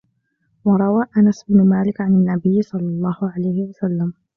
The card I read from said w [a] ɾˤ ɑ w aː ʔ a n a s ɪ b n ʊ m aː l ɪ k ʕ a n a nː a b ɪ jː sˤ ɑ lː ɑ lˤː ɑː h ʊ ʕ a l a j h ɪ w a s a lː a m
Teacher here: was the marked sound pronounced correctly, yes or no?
no